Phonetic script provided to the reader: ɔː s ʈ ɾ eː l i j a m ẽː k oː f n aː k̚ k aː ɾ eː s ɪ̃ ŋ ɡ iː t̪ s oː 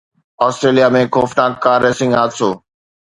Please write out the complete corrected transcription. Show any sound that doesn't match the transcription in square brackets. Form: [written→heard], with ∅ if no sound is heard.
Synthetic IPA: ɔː s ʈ ɾ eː l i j a m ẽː k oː f n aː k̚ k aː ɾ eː s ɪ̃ ŋ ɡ [iː→aː] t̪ s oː